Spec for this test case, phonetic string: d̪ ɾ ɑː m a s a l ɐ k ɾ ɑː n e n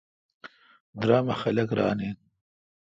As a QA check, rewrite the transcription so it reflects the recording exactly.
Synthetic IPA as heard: d̪ ɾ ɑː m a x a l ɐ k ɾ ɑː n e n

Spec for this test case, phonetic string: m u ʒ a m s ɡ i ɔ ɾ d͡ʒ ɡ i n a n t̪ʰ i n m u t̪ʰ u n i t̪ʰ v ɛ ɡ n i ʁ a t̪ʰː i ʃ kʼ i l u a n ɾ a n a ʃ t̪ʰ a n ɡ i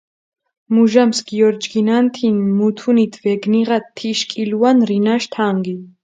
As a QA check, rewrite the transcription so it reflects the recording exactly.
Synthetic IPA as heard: m u ʒ a m s ɡ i ɔ ɾ d͡ʒ ɡ i n a n t̪ʰ i n m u t̪ʰ u n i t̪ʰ v ɛ ɡ n i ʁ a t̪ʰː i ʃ kʼ i l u a n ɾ i n a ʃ t̪ʰ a ŋ ɡ i

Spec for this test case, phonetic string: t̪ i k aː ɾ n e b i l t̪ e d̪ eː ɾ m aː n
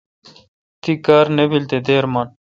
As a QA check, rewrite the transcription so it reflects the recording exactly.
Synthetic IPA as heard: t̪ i k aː ɾ n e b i l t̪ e d̪ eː ɾ m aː n

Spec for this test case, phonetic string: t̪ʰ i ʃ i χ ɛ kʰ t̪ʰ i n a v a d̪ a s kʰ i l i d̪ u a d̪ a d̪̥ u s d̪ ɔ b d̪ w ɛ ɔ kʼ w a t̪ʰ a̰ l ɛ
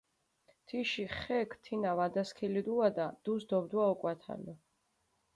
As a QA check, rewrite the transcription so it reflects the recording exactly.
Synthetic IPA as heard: t̪ʰ i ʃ i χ ɛ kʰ t̪ʰ i n a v a d̪ a s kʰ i l i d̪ u a d̪ a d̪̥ u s d̪ ɔ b d̪ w a ɔ kʼ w a t̪ʰ a̰ l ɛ

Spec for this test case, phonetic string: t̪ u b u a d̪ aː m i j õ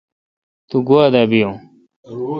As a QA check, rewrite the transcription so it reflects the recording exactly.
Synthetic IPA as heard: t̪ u ɡ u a d̪ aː b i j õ

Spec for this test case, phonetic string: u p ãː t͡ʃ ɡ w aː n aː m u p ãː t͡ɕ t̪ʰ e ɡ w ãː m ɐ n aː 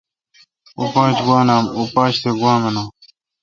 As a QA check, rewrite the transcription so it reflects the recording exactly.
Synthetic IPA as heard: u p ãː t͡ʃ ɡ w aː n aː m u p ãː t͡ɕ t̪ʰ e ɡ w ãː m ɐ n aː

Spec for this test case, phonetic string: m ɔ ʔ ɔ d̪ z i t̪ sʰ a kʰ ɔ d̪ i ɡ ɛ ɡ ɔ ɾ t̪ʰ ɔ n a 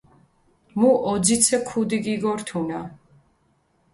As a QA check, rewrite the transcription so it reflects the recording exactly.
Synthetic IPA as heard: m u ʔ ɔ d̪ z i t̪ sʰ ɛ kʰ u d̪ i ɡ i ɡ ɔ ɾ t̪ʰ u n a

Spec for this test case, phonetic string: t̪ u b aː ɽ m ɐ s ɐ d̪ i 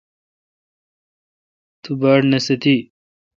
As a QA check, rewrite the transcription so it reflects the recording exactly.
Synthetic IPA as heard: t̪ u b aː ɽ n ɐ s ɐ t̪ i

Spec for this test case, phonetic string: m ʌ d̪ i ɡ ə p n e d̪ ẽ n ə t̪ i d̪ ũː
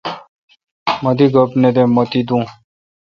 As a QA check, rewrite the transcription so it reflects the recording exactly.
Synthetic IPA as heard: m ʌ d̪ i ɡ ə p n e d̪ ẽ m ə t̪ i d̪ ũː

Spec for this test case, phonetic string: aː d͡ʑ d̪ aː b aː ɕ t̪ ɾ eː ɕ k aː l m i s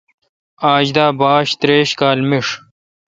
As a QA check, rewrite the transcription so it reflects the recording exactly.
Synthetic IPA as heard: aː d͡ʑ d̪ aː b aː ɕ t̪ ɾ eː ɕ k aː l m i ʂ

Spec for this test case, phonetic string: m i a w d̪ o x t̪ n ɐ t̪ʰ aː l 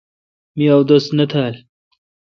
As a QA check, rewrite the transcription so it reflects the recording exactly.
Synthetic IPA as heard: m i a w d̪ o s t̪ n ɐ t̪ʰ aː l

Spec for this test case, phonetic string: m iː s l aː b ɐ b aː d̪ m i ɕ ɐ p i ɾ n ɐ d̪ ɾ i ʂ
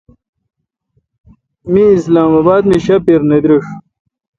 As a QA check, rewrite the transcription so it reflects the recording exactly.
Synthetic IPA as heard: m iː s l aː m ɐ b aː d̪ m i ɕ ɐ p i ɾ n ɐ d̪ ɾ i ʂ

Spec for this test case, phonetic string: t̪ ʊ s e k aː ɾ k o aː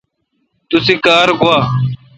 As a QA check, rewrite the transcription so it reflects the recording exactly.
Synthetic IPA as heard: t̪ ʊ s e k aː ɾ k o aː

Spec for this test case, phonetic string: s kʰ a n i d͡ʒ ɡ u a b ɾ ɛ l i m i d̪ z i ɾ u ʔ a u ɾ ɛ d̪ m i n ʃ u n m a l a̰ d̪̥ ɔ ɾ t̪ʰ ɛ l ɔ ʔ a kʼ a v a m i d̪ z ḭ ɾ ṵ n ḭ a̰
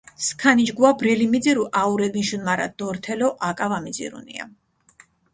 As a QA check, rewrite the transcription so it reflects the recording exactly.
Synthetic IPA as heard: s kʰ a n i d͡ʒ ɡ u a b ɾ ɛ l i m i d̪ z i ɾ u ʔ a u ɾ ɛ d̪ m i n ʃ u n m a ɾ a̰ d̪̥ ɔ ɾ t̪ʰ ɛ l ɔ ʔ a kʼ a v a m i d̪ z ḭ ɾ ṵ n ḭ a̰

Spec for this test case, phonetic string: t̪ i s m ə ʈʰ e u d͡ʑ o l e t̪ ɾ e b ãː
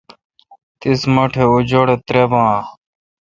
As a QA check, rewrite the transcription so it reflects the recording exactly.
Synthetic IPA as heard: t̪ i s m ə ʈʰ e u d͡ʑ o ɽ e t̪ ɾ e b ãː

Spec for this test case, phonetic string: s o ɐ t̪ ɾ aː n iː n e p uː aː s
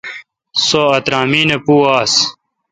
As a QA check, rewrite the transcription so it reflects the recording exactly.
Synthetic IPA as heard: s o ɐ t̪ ɾ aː m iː n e p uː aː s

